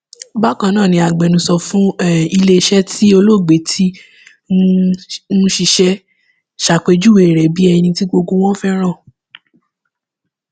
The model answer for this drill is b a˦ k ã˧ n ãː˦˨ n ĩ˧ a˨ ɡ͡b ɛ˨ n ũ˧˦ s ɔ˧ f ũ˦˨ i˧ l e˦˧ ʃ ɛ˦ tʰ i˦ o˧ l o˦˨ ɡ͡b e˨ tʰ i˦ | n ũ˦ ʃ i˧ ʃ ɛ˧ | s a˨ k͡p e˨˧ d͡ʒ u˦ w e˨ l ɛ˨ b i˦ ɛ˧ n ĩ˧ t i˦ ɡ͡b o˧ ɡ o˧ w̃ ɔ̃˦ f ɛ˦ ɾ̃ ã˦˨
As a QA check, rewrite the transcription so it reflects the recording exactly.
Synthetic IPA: b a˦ k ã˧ n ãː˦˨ n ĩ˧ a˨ ɡ͡b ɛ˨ n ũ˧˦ s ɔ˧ f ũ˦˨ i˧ l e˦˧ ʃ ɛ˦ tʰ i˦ o˧ l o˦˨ ɡ͡b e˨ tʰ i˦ | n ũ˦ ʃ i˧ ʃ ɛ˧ | ʃ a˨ k͡p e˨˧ d͡ʒ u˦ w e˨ ɾ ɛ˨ b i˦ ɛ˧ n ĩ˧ t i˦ ɡ͡b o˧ ɡ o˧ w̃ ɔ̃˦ f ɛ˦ ɾ̃ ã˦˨